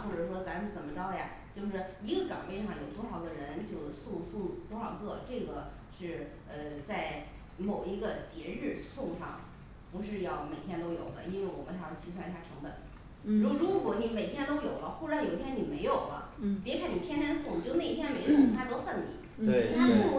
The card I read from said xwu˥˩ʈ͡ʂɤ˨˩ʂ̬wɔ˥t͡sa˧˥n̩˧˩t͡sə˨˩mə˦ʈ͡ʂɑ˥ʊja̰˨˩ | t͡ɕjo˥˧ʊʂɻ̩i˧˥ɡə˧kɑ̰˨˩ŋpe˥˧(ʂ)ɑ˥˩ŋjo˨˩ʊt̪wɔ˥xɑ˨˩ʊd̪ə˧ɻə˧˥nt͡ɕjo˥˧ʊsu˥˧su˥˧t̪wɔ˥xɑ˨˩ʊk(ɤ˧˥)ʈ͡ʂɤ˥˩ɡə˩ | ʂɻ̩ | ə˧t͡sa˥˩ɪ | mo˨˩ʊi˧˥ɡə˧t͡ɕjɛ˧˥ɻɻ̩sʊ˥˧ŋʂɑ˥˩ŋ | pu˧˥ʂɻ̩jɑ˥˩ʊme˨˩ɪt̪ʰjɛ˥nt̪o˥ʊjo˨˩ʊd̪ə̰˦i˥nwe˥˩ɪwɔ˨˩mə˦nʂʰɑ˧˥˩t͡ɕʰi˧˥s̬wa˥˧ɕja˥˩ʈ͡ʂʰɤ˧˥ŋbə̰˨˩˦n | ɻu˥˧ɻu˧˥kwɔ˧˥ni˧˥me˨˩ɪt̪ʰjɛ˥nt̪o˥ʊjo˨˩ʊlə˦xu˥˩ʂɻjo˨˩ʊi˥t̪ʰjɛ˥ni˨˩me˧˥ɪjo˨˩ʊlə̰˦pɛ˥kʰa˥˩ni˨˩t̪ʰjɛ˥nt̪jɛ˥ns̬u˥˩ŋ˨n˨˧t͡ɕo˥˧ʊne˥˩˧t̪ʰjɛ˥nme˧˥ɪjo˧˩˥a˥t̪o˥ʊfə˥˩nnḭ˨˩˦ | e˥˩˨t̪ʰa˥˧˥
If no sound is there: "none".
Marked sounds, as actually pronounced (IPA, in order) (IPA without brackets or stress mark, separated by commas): ʂ, ɤ˥˩